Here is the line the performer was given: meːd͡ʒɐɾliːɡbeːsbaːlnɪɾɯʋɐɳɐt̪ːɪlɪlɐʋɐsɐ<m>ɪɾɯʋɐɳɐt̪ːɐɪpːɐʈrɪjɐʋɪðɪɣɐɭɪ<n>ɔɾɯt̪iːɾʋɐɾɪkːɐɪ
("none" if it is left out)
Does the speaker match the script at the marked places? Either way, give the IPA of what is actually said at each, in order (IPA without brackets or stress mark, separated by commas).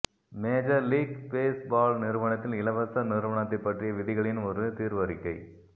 n, n